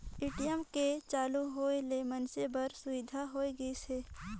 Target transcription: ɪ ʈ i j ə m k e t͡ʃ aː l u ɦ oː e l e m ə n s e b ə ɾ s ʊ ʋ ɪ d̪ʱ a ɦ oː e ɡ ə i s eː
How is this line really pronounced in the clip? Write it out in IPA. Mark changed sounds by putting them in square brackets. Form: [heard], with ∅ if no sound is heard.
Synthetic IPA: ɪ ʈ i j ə m k e t͡ʃ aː l u ɦ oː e l e m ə n s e b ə ɾ s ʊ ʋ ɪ d̪ʱ a ɦ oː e ɡ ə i s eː